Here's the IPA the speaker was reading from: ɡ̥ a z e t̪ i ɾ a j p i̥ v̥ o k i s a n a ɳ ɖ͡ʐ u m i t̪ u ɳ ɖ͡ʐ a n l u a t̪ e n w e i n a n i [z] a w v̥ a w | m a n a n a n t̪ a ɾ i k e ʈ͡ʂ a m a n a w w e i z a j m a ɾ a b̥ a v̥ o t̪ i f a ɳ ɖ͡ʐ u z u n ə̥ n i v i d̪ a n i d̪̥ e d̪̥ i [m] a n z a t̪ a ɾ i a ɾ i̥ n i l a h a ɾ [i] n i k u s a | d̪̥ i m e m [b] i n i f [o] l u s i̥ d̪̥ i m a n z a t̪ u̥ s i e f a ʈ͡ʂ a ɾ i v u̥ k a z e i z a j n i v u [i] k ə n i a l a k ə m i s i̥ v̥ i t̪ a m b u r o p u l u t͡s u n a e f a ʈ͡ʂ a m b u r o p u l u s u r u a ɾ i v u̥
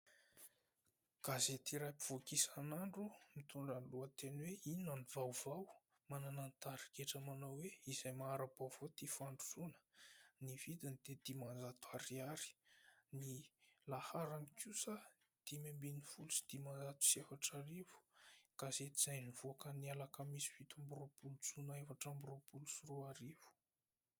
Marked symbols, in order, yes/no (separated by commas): no, yes, no, yes, no, no